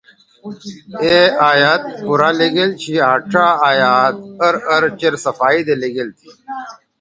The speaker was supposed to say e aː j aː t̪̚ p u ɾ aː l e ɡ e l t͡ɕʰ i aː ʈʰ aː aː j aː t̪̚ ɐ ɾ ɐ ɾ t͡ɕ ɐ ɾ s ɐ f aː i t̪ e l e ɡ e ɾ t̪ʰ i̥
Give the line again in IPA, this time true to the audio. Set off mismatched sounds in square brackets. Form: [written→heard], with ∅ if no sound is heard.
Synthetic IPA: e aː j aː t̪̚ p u ɾ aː l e ɡ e l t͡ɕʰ i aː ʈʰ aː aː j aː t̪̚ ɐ ɾ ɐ ɾ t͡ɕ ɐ ɾ s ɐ f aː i [t̪→d̪] e l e ɡ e [ɾ→l] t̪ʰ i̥